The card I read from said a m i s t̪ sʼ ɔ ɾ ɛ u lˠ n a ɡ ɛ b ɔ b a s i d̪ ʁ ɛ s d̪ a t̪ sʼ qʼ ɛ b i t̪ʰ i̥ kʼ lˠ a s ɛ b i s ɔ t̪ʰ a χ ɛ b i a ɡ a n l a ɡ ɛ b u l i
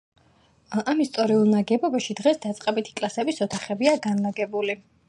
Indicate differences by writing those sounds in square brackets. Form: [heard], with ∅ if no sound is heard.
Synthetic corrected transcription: a m i s t̪ sʼ ɔ ɾ [i] u lˠ n a ɡ ɛ b ɔ b a [ʃ] i d̪ ʁ ɛ s d̪ a t̪ sʼ qʼ ɛ b i t̪ʰ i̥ kʼ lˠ a s ɛ b i s ɔ t̪ʰ a χ ɛ b i a ɡ a n l a ɡ ɛ b u l i

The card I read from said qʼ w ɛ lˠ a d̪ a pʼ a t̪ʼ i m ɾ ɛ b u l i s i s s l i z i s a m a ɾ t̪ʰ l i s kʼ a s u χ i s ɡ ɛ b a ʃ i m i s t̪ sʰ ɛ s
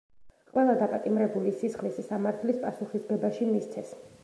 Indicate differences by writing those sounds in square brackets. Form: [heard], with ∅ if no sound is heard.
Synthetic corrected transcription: qʼ w ɛ lˠ a d̪ a pʼ a t̪ʼ i m ɾ ɛ b u l i s i s [χ] l i [s] i s a m a ɾ t̪ʰ l i s [pʼ] a s u χ i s ɡ ɛ b a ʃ i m i s t̪ sʰ ɛ s

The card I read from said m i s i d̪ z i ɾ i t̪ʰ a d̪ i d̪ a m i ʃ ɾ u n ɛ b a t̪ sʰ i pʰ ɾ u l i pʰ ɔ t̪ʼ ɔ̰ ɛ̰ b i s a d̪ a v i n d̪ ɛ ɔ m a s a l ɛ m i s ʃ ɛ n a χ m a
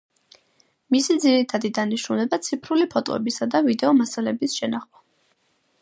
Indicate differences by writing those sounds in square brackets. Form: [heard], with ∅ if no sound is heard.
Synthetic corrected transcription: m i s i d̪ z i ɾ i t̪ʰ a d̪ i d̪ a [n] i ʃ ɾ u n ɛ b a t̪ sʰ i pʰ ɾ u l i pʰ ɔ t̪ʼ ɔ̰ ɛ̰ b i s a d̪ a v i [∅] d̪ ɛ ɔ m a s a l ɛ [b] i s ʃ ɛ n a χ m a

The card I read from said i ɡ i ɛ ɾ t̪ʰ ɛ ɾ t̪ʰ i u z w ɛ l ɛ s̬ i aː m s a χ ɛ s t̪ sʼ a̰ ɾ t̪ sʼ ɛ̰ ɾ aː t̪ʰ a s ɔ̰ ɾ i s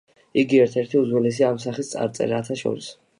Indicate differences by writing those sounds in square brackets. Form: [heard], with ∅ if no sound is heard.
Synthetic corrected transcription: i ɡ i ɛ ɾ t̪ʰ ɛ ɾ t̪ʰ i u z w ɛ l ɛ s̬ i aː m s a χ [i] s t̪ sʼ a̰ ɾ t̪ sʼ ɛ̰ ɾ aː t̪ʰ a [ʃ] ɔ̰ ɾ i s

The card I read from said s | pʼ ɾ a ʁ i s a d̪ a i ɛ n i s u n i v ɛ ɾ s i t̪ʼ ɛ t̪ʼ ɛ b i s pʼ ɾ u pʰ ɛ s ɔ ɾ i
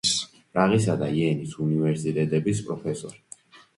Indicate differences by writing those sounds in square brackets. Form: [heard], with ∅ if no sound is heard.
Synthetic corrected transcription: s | pʼ ɾ a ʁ i s a d̪ a i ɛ n i s u n i v ɛ ɾ s i t̪ʼ ɛ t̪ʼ ɛ b i s pʼ ɾ [ɔ] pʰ ɛ s ɔ ɾ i

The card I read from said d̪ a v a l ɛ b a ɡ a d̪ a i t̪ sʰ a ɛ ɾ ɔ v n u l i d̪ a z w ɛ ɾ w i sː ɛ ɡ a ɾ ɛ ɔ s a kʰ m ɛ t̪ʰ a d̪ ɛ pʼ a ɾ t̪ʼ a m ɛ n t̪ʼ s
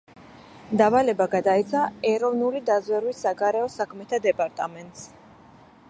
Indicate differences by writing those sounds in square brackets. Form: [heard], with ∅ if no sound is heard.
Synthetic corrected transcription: d̪ a v a l ɛ b a ɡ a d̪ a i t̪ sʰ a ɛ ɾ ɔ v n u l i d̪ a z w ɛ ɾ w i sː [a] ɡ a ɾ ɛ ɔ s a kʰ m ɛ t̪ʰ a d̪ ɛ pʼ a ɾ t̪ʼ a m ɛ n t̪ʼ s

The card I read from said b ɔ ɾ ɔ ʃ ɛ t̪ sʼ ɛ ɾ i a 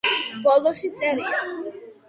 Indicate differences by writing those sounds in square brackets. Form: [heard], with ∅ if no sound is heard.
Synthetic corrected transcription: b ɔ [l] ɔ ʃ [i] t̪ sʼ ɛ ɾ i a

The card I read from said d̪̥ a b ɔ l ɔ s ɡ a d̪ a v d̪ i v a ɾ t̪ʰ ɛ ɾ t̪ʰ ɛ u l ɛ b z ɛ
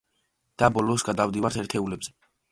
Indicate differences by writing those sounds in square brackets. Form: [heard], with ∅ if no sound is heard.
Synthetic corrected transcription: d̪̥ a b ɔ l ɔ s ɡ a d̪ a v d̪ i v a ɾ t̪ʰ ɛ ɾ t̪ʰ ɛ u l ɛ b z ɛ

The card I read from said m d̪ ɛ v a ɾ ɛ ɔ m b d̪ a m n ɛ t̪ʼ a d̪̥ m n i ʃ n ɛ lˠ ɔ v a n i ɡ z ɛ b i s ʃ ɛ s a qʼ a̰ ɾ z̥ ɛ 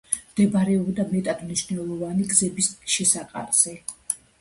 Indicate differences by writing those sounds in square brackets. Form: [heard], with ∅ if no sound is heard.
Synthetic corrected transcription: m d̪ ɛ [b] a ɾ ɛ ɔ [∅] b d̪ a m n ɛ t̪ʼ a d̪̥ m n i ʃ n ɛ lˠ ɔ v a n i ɡ z ɛ b i s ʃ ɛ s a qʼ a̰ ɾ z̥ ɛ

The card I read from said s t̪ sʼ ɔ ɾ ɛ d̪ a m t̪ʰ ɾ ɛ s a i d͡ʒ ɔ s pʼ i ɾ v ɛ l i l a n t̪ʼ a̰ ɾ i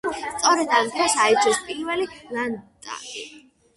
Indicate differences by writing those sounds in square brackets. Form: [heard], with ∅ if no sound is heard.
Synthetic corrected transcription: s t̪ sʼ ɔ ɾ ɛ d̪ a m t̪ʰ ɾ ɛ s a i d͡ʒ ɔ s pʼ i ɾ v ɛ l i l a n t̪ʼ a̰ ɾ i

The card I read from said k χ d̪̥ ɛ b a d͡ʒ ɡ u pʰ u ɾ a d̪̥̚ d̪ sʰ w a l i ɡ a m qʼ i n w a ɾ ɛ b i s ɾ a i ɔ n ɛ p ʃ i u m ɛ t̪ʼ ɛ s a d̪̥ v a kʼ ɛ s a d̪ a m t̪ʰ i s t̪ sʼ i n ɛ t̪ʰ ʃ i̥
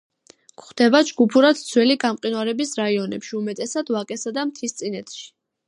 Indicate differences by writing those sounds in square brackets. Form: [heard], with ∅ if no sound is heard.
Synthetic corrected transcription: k χ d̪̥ ɛ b a d͡ʒ ɡ u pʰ u ɾ a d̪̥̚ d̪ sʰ w [ɛ] l i ɡ a m qʼ i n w a ɾ ɛ b i s ɾ a i ɔ n ɛ p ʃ i u m ɛ t̪ʼ ɛ s a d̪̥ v a kʼ ɛ s a d̪ a m t̪ʰ i s t̪ sʼ i n ɛ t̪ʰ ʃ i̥

